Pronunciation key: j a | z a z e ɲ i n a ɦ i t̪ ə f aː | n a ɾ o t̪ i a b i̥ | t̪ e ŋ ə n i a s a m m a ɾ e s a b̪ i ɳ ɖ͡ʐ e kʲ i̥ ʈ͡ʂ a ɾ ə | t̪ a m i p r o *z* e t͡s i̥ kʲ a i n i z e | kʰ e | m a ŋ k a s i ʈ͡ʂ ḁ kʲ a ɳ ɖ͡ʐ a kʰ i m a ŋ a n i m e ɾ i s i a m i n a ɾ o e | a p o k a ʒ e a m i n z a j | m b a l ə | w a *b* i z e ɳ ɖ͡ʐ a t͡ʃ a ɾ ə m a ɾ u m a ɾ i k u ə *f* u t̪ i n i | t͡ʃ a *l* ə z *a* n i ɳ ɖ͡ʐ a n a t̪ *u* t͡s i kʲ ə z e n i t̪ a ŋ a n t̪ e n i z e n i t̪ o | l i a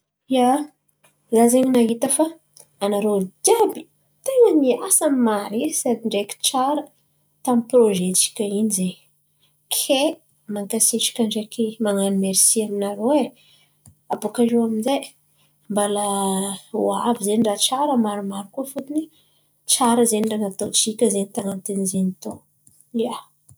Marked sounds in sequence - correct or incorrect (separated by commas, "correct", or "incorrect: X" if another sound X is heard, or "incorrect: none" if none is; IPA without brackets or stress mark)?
incorrect: ʒ, incorrect: v, correct, incorrect: ɾ, incorrect: e, incorrect: o